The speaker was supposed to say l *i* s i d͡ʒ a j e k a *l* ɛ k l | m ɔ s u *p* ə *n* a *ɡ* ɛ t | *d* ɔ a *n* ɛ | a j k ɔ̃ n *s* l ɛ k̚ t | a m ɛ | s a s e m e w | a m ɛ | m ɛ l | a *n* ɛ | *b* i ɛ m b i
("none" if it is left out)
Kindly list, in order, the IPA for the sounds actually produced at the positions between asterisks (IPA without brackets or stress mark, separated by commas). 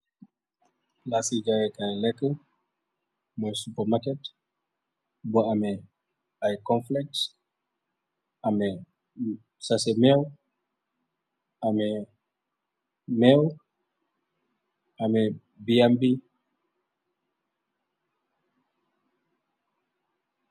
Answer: a, l, p, m, k, b, m, f, m, b